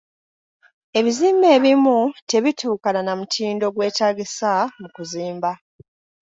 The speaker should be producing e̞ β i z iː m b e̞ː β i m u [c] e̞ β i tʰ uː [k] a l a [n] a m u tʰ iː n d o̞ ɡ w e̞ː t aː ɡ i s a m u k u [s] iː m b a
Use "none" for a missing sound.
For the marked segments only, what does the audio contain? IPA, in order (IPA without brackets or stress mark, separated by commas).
t, k, n, z